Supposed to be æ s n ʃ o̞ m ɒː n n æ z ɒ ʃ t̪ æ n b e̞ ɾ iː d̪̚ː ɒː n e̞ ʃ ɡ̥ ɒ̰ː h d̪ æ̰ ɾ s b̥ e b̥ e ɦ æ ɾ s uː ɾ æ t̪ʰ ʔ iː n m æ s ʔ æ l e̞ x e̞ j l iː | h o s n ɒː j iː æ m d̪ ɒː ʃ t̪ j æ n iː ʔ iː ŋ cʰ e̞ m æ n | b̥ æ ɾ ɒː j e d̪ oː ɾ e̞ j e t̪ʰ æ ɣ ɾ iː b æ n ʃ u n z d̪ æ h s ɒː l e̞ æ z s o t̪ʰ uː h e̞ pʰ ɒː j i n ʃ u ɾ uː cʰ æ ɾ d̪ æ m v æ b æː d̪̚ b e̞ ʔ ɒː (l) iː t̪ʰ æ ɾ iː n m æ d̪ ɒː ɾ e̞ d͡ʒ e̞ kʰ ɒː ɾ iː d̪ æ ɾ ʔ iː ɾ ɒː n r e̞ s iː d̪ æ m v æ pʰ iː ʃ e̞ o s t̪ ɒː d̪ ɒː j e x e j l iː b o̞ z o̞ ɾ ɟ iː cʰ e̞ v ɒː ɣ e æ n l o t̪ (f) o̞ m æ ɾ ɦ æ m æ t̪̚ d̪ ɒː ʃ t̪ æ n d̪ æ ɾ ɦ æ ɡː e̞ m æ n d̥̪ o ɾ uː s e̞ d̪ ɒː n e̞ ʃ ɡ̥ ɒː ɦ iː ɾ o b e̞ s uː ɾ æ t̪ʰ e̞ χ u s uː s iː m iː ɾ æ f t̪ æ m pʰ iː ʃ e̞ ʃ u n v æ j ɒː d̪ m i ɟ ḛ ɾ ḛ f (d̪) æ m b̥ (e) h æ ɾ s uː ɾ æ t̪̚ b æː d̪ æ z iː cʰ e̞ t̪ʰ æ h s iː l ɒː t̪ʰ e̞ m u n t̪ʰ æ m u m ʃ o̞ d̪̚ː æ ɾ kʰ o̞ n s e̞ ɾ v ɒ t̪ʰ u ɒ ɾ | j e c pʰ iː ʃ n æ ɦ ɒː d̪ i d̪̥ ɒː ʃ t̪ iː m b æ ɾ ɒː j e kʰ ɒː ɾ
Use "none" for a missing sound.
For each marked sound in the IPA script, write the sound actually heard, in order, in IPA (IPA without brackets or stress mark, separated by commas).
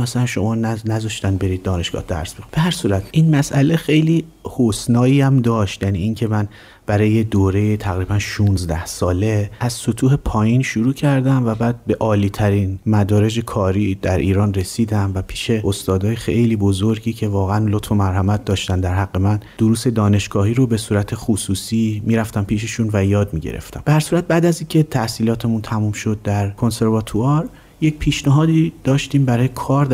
l, f, t̪, e